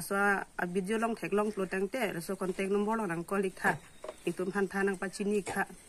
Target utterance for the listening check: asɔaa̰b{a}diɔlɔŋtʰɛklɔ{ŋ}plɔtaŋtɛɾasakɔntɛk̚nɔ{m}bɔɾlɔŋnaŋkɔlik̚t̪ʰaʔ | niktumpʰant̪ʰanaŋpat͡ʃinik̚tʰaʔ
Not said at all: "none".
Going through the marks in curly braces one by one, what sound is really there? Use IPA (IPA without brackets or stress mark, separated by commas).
i, ŋ, m